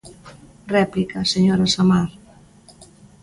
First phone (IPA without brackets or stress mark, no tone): r